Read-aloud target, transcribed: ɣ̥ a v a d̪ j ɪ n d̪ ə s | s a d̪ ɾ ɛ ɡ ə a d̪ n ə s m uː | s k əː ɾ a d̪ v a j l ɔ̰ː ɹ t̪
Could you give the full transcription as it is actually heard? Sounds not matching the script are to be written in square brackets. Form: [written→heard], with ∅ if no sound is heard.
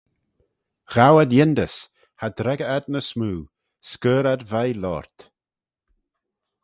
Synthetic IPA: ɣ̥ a [v→w] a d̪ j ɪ n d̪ ə s | [s→h] a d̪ ɾ ɛ ɡ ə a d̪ n ə s m uː | s k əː ɾ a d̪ v a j l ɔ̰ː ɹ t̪